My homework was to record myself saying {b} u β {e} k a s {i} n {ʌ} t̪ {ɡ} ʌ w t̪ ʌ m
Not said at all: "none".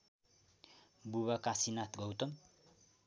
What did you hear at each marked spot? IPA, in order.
b, a, i, a, ɡ

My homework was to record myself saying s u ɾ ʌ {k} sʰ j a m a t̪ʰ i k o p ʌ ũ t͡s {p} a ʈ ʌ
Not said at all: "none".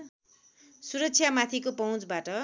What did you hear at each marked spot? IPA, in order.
k, b

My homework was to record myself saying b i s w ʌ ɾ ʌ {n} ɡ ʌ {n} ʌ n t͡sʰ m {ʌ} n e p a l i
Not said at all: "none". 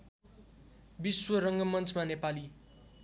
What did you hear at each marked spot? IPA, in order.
ŋ, m, a

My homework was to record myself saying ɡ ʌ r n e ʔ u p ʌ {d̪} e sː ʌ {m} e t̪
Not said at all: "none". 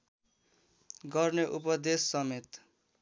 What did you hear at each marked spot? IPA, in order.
d̪, m

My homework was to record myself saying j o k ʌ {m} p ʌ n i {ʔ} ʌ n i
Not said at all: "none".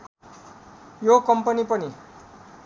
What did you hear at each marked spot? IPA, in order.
m, p

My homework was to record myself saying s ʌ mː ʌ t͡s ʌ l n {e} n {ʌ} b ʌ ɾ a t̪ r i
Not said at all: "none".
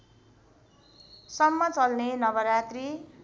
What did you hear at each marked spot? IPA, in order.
e, ʌ

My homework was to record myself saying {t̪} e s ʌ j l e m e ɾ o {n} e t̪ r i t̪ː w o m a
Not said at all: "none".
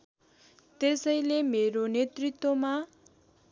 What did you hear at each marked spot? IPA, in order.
t̪, n

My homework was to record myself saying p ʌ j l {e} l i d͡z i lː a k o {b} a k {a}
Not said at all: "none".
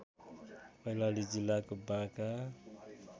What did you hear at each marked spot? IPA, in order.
a, b, a

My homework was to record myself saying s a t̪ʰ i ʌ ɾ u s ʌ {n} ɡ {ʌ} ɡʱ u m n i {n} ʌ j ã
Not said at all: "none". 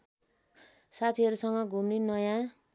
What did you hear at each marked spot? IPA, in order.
ŋ, ʌ, n

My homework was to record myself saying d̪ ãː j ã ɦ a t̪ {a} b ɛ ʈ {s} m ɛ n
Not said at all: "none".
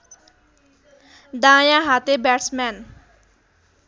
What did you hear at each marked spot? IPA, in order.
e, s

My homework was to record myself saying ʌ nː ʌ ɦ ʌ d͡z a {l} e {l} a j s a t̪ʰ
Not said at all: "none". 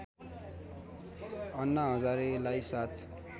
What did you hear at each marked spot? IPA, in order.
ɾ, l

